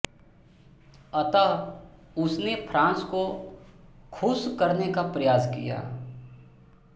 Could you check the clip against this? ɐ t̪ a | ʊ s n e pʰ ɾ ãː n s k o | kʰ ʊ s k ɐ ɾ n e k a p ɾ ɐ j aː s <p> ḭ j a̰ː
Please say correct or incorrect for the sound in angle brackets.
incorrect